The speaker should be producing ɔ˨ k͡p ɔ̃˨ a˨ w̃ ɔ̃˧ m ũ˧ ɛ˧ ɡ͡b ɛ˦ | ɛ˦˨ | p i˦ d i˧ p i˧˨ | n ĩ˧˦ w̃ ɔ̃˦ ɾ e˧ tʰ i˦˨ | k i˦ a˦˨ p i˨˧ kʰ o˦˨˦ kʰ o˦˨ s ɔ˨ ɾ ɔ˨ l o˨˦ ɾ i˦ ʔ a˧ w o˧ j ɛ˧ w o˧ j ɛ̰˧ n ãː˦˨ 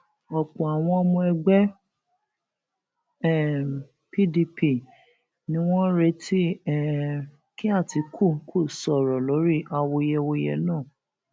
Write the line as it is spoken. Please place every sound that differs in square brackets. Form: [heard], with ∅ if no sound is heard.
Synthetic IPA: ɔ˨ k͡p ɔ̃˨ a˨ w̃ ɔ̃˧ m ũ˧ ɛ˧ ɡ͡b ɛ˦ | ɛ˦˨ | p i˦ d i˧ p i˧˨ | n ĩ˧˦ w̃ ɔ̃˦ ɾ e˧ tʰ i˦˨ | k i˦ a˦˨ [t] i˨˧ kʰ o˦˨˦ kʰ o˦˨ s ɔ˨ ɾ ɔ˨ l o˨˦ ɾ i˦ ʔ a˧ w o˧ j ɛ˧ w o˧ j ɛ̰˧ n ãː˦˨